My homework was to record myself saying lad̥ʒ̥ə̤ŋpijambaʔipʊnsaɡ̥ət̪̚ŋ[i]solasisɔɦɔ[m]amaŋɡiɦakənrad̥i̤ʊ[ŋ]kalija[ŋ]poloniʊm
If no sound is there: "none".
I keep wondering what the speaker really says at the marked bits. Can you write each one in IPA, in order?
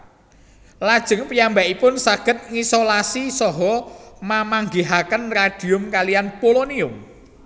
i, m, m, n

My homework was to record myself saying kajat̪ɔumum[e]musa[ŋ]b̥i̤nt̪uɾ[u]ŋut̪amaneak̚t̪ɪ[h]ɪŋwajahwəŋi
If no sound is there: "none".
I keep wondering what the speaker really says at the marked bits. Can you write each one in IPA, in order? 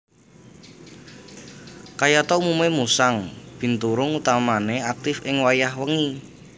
e, ŋ, ʊ, f

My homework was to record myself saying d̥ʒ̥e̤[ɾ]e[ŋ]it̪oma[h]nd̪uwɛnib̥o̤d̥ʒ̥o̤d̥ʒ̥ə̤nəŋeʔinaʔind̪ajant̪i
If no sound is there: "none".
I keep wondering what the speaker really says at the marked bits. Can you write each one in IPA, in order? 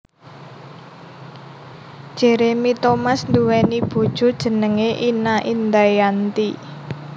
ɾ, m, s

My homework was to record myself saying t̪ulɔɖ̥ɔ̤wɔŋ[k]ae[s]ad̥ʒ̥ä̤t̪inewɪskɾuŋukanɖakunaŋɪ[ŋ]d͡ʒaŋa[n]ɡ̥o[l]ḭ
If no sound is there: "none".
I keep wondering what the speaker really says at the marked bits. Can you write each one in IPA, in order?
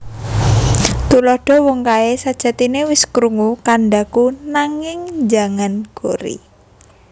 k, s, ŋ, n, ɾ

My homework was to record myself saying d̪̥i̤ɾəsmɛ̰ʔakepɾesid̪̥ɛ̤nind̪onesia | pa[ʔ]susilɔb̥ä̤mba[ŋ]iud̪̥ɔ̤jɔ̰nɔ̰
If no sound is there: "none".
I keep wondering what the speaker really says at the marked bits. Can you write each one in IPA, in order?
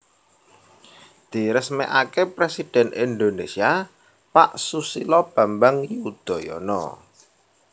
ʔ, ŋ

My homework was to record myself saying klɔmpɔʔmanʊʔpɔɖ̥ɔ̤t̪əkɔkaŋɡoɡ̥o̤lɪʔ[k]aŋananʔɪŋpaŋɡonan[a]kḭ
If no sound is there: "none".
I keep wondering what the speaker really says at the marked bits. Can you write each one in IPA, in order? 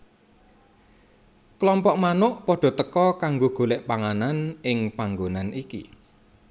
p, i

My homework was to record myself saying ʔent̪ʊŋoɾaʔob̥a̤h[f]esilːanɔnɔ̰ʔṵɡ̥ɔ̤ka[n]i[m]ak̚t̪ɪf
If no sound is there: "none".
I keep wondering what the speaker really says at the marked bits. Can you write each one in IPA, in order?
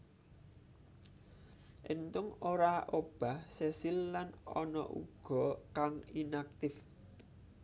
s, ŋ, n

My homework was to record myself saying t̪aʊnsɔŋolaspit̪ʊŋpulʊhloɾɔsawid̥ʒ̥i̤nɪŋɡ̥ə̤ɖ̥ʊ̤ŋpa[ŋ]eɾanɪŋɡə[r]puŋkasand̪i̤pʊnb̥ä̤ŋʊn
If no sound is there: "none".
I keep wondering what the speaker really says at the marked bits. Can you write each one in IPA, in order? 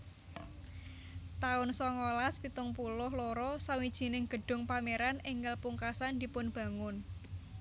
m, l

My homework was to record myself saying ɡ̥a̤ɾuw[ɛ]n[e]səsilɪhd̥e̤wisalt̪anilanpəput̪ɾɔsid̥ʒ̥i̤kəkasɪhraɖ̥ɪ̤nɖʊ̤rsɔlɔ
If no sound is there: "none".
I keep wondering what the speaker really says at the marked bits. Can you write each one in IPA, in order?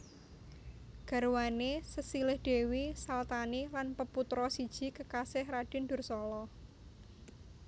a, e

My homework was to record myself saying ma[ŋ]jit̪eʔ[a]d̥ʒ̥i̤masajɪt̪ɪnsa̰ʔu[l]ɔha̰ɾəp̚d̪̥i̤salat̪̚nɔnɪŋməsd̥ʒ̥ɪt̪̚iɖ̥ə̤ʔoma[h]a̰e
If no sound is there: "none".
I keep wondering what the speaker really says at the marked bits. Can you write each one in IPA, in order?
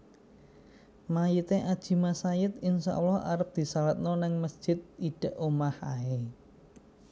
none, a, l, h

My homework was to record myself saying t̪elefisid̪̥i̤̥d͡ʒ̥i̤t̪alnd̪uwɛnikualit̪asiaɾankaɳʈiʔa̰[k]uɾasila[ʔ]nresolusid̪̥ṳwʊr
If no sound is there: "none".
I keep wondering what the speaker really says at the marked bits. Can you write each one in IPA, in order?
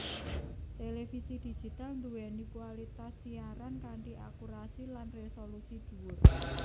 k, none

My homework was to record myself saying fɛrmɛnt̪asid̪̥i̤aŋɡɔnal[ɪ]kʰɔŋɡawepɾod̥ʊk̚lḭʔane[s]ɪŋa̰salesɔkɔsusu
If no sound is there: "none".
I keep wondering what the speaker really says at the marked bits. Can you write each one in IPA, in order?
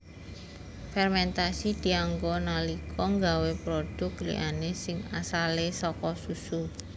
i, s

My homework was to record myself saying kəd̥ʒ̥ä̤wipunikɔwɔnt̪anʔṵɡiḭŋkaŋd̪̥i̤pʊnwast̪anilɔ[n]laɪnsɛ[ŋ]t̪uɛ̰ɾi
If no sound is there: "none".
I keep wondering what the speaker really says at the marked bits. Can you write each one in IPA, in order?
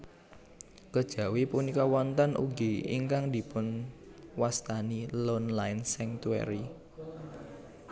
n, ŋ

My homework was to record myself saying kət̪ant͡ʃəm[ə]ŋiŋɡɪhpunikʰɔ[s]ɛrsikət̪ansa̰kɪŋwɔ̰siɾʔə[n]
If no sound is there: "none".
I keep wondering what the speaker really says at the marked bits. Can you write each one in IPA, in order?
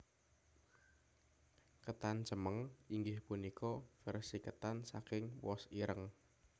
ə, f, ŋ

